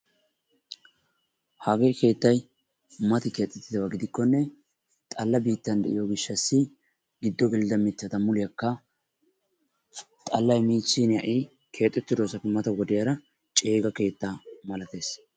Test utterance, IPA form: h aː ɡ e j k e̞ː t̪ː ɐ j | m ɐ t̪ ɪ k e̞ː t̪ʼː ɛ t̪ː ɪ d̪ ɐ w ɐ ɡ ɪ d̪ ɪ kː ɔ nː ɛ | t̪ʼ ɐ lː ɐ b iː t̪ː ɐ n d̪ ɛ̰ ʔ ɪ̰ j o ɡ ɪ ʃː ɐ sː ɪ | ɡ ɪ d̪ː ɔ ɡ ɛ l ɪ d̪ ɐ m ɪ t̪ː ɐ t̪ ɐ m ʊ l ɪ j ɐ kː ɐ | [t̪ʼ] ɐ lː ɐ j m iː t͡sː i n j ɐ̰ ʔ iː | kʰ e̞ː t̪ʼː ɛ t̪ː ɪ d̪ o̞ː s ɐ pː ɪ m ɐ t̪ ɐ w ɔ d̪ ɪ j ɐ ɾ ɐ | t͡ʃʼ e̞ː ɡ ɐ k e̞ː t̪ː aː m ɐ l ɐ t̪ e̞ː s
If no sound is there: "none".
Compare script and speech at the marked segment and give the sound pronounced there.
t̪ʼ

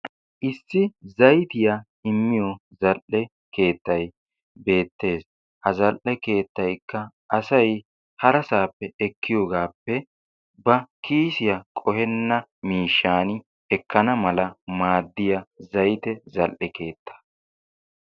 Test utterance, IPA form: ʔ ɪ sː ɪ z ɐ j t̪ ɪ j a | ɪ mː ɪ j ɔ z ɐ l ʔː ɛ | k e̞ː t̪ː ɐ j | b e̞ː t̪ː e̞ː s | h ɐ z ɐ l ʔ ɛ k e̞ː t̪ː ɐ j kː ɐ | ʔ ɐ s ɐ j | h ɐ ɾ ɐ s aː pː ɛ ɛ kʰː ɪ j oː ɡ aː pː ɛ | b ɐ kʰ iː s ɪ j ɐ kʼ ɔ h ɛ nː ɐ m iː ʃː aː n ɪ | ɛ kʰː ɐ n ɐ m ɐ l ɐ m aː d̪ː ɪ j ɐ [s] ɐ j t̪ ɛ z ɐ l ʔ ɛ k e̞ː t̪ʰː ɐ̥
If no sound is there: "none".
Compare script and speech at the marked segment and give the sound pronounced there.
z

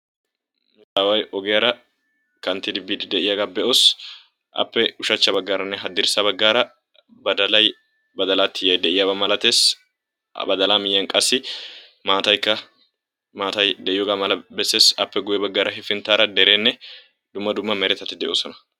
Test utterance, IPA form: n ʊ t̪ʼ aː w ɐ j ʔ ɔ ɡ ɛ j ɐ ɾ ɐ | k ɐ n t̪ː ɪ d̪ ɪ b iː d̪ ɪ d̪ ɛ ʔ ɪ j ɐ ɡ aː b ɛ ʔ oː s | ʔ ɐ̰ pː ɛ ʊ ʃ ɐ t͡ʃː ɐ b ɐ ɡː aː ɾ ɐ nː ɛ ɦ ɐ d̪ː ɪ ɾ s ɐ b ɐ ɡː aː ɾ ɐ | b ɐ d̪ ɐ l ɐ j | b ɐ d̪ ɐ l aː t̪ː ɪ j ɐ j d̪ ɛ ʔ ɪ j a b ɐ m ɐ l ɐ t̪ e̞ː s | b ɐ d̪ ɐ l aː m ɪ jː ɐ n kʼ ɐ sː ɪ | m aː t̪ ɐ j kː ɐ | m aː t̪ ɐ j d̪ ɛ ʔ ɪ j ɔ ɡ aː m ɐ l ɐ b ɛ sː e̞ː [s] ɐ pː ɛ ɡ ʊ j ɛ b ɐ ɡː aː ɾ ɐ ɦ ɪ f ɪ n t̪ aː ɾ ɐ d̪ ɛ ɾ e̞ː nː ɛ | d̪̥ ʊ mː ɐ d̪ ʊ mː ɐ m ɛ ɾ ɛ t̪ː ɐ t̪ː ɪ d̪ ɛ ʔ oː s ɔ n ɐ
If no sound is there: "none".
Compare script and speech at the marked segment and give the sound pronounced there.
s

